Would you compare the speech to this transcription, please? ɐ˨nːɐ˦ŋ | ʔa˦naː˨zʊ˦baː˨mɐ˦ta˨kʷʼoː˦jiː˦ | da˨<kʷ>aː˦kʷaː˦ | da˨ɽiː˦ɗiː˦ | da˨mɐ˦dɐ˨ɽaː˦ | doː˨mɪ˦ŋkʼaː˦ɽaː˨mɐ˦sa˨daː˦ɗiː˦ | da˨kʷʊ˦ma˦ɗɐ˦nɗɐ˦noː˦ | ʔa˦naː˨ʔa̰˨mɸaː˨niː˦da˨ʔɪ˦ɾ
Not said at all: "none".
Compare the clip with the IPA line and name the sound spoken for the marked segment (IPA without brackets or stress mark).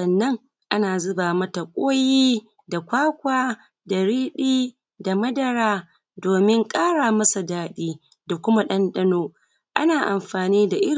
kʷ